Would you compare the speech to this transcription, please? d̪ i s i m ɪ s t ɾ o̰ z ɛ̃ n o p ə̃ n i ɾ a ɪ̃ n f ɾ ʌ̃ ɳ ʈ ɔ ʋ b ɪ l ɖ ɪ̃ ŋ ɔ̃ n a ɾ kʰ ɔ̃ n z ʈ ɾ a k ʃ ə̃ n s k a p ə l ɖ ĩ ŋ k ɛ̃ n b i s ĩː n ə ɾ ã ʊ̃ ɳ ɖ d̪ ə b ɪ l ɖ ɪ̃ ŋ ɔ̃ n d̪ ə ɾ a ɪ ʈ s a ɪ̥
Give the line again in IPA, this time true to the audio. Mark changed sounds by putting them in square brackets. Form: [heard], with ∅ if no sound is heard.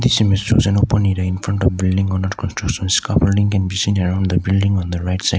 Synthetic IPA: d̪ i s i m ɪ s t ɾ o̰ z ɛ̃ n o p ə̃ n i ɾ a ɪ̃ n f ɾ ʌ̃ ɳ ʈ ɔ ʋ b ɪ l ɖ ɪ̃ ŋ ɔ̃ n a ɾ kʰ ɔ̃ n [s] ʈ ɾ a k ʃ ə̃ n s k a p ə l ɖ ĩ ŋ k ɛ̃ n b i s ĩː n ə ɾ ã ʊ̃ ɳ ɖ d̪ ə b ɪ l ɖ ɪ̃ ŋ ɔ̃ n d̪ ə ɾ a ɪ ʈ s a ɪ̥

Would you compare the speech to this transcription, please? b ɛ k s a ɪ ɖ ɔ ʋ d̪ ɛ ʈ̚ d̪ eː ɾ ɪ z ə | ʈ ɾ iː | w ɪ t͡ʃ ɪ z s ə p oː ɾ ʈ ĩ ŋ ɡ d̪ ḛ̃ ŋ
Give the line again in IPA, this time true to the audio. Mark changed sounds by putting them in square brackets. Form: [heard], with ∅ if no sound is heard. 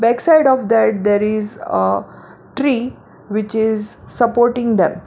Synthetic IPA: b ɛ k s a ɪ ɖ ɔ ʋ d̪ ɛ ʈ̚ d̪ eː ɾ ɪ z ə | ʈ ɾ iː | [ʋ] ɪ t͡ʃ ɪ z s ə p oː ɾ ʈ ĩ ŋ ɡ d̪ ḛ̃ [m]

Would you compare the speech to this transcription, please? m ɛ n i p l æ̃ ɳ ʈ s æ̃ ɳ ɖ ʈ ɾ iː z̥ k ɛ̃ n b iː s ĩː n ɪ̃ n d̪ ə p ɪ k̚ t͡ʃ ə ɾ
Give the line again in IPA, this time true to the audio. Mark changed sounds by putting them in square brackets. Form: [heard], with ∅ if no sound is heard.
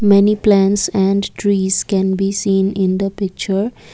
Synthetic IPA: m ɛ n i p l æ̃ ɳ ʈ s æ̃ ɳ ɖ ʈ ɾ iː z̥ k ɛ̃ n b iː s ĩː n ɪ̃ n d̪ ə p ɪ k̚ t͡ʃ ə ɾ

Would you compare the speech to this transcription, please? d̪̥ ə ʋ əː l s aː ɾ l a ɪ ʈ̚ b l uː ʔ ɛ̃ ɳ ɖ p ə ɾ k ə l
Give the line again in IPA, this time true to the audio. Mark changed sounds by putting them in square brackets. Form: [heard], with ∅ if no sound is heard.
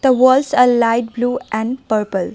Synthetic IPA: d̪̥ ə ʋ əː l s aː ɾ l a ɪ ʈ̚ b l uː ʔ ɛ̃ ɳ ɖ p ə ɾ [p] ə l

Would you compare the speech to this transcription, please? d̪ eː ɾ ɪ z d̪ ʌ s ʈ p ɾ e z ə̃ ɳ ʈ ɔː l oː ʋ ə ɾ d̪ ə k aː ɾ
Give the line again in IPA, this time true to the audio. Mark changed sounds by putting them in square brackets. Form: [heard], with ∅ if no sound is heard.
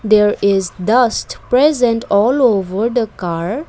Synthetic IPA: d̪ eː ɾ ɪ z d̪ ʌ s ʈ p ɾ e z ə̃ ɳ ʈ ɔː l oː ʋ ə ɾ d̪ ə k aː ɾ

